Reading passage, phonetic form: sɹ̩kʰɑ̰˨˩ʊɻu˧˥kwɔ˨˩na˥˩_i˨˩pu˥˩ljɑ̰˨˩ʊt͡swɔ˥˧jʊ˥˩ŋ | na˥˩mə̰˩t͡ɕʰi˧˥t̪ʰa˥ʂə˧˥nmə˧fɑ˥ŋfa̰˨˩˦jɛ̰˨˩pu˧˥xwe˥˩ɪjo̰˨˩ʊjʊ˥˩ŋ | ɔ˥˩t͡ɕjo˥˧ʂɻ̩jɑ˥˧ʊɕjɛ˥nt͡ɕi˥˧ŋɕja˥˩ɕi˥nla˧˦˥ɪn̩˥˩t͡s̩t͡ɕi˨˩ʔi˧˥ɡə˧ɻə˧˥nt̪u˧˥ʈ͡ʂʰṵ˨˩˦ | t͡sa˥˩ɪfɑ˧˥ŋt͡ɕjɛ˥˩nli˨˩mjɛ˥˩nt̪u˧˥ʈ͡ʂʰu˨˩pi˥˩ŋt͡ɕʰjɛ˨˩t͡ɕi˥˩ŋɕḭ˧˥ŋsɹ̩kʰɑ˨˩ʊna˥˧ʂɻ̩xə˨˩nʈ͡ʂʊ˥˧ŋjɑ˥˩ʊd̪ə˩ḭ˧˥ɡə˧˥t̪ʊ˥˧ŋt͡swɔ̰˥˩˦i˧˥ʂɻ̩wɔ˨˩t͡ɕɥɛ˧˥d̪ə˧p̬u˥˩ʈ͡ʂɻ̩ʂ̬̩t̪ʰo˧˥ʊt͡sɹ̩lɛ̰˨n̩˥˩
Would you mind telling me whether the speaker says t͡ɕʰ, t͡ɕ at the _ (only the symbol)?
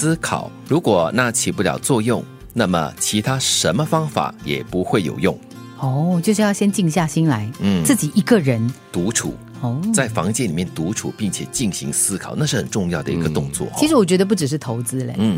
t͡ɕʰ